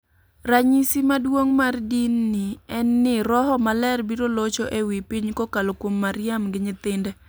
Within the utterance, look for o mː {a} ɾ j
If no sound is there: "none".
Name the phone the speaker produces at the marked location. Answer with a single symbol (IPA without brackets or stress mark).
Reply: a